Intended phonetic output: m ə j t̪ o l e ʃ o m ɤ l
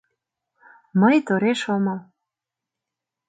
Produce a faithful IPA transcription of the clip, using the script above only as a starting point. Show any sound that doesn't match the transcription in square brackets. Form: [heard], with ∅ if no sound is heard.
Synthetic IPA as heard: m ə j t̪ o [ɾ] e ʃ o m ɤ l